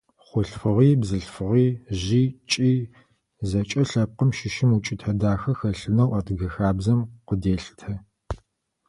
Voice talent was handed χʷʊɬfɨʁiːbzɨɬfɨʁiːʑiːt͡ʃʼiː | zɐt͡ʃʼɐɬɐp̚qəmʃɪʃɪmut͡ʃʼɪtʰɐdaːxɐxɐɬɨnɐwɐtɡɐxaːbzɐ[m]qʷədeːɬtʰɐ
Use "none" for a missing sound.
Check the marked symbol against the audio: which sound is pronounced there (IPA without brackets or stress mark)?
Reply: m